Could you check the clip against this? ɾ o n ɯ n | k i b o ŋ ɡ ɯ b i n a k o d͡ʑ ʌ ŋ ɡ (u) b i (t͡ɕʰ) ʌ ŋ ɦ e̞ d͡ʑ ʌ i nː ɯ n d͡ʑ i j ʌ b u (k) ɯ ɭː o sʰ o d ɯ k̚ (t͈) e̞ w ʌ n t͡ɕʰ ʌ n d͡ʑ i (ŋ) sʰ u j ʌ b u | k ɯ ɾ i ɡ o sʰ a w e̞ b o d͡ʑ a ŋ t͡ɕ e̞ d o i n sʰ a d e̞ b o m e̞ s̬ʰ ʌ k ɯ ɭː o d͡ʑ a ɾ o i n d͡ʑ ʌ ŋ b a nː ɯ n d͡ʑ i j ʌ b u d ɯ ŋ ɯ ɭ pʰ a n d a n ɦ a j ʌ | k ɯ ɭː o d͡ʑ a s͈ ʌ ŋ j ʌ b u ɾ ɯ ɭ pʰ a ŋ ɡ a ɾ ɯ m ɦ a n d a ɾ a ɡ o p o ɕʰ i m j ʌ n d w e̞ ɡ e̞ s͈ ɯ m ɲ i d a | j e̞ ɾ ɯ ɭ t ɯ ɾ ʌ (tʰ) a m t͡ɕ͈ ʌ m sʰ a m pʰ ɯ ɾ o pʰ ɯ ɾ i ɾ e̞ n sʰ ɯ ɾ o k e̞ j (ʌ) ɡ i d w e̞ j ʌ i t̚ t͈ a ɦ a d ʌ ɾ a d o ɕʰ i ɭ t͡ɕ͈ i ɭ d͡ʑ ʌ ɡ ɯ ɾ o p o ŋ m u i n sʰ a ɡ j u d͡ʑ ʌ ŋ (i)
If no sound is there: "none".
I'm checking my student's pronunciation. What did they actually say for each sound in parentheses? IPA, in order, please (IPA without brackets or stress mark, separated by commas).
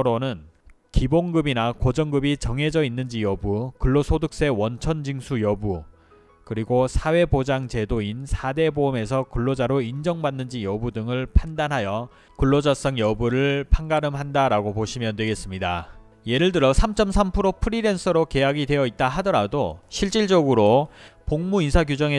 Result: ɯ, t͡ɕ, k, s͈, ŋ, sʰ, a, e